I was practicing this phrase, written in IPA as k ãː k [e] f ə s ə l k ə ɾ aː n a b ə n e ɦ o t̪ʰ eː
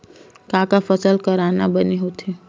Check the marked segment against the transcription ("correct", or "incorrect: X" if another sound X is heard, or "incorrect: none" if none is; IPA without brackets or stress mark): incorrect: a